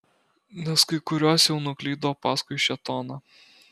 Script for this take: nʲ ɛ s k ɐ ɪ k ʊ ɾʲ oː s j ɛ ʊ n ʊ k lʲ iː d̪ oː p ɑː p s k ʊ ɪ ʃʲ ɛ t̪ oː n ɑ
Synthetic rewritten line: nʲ ɛ s k ɐ ɪ k ʊ ɾʲ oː s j ɛ ʊ n ʊ k lʲ iː d̪ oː p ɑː s k ʊ ɪ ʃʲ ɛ t̪ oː n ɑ